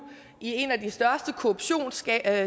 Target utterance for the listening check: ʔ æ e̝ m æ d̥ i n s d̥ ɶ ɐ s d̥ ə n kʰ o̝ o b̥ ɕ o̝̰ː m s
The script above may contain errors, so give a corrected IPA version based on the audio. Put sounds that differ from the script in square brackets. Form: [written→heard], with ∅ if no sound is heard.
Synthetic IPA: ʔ [æ→i] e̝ [m→n] æ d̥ i [n→∅] s d̥ ɶ ɐ s d̥ ə [n→∅] kʰ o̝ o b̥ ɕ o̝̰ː [m→n] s

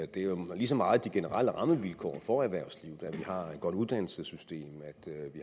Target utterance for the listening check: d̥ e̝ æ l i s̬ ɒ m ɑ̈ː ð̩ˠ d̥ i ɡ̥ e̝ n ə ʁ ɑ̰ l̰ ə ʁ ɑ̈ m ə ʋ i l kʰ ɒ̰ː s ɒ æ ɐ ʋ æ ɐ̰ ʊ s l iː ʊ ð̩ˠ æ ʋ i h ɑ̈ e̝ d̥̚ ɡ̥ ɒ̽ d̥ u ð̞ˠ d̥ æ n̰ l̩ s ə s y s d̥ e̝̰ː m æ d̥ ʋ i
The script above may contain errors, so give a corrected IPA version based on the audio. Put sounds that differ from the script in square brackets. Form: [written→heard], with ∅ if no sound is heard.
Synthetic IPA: d̥ e̝ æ l i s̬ ɒ m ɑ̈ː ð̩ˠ d̥ i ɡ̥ e̝ n ə ʁ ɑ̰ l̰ ə ʁ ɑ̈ m ə ʋ i l kʰ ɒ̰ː [s→f] ɒ æ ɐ ʋ æ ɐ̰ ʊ s l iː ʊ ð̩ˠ æ ʋ i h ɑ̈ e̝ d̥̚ ɡ̥ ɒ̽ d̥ u ð̞ˠ d̥ æ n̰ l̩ s ə s y s d̥ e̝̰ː m æ d̥ ʋ i

